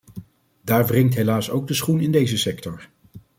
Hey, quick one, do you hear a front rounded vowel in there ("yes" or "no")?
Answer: no